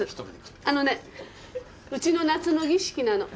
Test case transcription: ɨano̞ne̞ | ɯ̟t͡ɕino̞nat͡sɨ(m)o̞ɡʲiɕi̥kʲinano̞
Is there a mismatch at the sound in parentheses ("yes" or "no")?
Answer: yes